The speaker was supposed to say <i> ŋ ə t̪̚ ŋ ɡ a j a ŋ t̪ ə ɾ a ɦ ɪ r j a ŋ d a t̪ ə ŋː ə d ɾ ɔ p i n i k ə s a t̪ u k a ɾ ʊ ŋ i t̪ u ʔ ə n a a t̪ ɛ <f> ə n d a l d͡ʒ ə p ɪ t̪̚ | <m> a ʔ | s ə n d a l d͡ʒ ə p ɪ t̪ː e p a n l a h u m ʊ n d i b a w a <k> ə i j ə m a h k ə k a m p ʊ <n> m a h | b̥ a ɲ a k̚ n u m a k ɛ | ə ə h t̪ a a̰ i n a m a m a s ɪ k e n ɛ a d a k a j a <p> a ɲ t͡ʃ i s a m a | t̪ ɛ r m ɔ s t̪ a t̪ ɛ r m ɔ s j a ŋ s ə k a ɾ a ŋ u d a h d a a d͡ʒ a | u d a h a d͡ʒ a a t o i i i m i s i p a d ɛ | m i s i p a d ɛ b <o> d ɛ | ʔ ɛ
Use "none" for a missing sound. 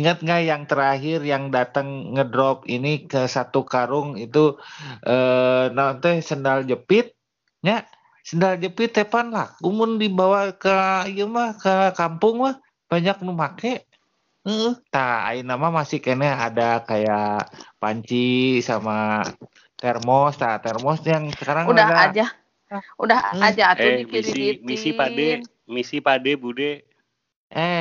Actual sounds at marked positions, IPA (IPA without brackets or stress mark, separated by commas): i, s, ɲ, k, ŋ, p, u